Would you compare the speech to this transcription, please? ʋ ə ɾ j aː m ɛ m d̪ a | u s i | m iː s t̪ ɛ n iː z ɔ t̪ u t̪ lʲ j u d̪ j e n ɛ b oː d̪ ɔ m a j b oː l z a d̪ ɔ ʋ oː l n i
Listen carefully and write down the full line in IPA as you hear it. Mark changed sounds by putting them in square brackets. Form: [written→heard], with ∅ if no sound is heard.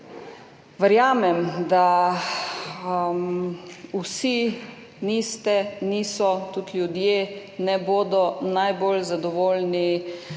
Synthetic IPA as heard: ʋ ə ɾ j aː m ɛ m d̪ a | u s i | [m→n] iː s t̪ ɛ n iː [z→s] ɔ t̪ u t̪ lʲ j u d̪ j e n ɛ b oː d̪ ɔ [m→n] a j b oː l z a d̪ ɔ ʋ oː l n i